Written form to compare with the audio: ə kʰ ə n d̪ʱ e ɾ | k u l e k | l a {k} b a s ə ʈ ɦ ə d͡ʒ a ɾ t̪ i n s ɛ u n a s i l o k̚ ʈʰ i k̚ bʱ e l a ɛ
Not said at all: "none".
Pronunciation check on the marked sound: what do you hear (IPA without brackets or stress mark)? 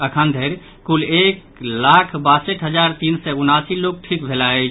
kʰ